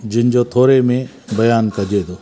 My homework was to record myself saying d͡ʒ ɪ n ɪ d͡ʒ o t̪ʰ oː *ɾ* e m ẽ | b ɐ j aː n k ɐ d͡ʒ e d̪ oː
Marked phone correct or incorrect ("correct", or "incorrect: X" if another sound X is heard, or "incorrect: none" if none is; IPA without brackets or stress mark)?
correct